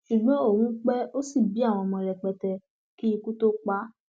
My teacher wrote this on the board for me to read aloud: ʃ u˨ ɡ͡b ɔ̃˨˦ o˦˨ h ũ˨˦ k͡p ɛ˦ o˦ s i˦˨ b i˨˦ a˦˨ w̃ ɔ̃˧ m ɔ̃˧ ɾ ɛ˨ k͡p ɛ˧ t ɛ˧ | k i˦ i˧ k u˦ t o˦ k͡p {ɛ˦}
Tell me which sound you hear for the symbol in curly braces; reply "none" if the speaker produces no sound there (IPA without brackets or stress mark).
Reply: a˦